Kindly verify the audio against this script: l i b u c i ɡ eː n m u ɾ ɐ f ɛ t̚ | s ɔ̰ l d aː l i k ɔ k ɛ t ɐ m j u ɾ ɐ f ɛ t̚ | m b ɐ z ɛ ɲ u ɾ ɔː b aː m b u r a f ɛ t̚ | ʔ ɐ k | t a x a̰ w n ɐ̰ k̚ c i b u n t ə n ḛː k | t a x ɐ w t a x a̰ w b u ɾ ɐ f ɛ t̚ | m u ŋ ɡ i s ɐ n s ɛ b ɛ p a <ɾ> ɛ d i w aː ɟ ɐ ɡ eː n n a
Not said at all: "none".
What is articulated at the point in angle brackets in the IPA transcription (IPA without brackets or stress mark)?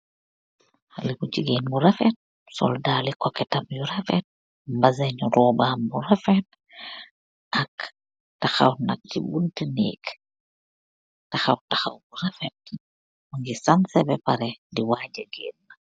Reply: ɾ